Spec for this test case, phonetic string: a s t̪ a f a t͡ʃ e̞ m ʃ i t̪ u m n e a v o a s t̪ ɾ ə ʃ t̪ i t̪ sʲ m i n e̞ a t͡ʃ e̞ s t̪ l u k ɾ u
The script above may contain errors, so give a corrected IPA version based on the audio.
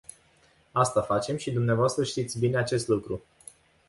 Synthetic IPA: a s t̪ a f a t͡ʃ e̞ m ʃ i d̪ u m n e a v o a s t̪ ɾ ə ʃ t̪ i t̪ sʲ b i n e̞ a t͡ʃ e̞ s t̪ l u k ɾ u